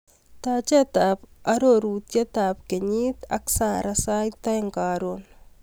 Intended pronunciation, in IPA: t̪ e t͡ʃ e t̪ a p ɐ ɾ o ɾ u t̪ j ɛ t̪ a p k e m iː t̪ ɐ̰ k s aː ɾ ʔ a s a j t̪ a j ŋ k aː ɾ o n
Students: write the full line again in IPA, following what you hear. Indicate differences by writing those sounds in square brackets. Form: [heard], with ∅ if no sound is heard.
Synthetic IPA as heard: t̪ [a] t͡ʃ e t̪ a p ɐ ɾ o ɾ u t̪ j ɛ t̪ a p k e [ɲ] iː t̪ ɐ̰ k s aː ɾ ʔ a s a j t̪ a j ŋ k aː ɾ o n